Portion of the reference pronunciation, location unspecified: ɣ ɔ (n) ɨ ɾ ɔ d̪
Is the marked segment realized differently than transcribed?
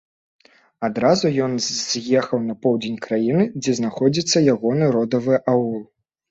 no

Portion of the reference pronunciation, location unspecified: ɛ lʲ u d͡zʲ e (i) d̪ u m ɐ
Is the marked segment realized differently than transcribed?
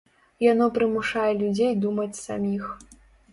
yes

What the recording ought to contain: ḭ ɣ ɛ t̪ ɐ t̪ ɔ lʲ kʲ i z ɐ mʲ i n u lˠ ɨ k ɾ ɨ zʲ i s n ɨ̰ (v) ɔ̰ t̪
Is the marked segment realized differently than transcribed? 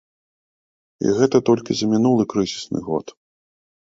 yes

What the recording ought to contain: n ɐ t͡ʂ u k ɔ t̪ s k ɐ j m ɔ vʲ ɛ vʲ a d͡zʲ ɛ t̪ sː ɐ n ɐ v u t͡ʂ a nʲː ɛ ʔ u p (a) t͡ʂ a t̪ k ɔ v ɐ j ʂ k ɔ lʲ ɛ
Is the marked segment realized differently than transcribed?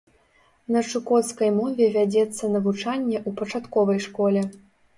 yes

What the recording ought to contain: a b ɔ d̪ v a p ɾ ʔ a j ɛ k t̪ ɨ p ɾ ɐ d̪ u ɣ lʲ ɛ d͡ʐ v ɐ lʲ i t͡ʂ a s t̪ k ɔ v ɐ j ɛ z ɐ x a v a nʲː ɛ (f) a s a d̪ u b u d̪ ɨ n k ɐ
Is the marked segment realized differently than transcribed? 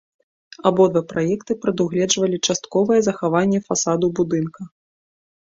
no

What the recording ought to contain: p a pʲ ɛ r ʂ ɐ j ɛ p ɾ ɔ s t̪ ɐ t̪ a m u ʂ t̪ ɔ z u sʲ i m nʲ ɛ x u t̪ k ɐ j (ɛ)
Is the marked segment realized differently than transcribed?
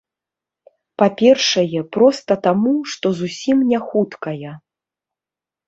no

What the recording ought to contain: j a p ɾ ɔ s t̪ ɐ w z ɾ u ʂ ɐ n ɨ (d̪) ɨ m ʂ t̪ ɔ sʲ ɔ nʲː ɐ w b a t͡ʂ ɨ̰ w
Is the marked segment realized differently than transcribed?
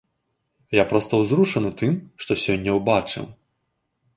yes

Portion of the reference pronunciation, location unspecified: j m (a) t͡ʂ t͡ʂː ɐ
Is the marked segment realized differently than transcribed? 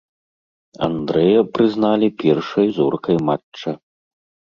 no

